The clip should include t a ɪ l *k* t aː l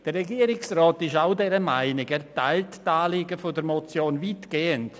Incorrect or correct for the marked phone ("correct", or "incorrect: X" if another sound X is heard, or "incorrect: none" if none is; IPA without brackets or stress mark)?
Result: incorrect: t